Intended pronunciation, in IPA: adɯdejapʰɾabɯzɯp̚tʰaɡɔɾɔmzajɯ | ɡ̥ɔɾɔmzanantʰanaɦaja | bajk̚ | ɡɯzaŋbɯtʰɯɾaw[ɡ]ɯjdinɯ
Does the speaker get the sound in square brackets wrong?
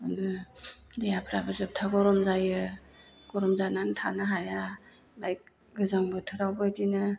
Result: yes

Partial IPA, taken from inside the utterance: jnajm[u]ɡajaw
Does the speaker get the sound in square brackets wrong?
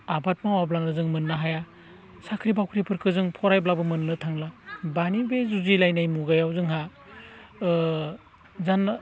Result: no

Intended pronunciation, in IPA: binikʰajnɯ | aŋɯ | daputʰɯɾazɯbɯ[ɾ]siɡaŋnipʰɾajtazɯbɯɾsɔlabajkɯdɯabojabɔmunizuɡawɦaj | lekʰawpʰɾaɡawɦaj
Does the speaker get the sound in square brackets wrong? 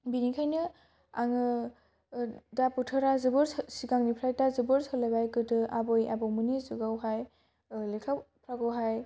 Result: no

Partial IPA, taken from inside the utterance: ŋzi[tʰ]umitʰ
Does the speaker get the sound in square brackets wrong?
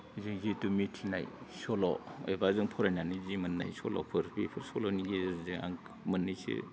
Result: yes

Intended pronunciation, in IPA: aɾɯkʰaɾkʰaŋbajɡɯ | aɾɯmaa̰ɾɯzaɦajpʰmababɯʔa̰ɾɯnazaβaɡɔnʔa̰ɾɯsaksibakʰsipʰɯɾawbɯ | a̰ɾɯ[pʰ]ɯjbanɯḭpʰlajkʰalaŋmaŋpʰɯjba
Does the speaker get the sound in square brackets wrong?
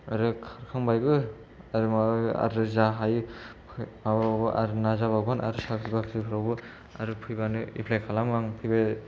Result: no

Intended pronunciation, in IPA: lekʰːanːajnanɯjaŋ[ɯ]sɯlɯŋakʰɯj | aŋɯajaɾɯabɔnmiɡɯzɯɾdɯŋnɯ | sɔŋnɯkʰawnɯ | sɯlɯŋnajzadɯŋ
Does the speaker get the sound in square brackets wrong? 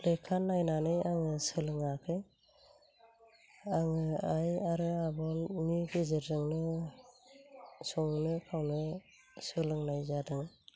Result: no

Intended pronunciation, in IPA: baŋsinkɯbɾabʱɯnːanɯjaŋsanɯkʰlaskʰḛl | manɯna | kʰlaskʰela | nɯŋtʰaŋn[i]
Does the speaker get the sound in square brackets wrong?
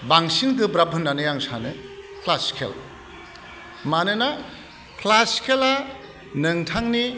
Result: no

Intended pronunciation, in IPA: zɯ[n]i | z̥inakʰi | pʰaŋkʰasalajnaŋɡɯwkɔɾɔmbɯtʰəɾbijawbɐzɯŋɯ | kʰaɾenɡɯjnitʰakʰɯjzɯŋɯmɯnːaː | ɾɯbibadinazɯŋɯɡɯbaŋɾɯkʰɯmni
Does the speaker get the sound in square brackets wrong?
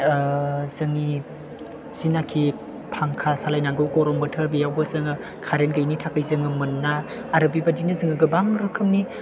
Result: yes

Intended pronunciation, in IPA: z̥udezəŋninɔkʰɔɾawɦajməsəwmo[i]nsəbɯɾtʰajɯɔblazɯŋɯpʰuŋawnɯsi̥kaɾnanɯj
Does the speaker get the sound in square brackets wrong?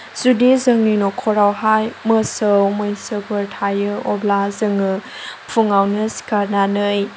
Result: yes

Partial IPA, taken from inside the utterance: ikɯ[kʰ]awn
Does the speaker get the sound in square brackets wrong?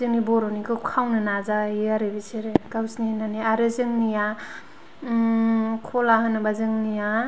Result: no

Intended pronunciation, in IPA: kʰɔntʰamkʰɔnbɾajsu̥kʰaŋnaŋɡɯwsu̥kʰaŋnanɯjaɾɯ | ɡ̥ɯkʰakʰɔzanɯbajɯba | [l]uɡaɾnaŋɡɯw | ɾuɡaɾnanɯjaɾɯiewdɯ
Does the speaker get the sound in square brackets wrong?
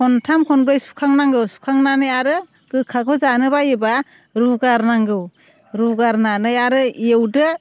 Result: yes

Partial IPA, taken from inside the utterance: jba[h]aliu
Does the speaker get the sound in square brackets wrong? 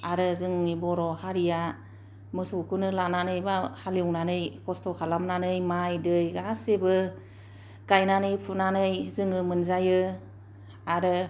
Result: no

